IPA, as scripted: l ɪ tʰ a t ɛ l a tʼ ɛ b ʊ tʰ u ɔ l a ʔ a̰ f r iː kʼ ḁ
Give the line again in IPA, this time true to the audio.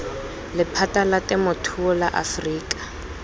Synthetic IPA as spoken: l ɪ pʰ a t a l a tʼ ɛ m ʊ tʰ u ɔ l a ʔ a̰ f r iː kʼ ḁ